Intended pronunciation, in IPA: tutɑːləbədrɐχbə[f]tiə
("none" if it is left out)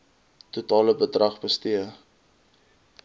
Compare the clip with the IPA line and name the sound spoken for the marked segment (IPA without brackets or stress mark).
s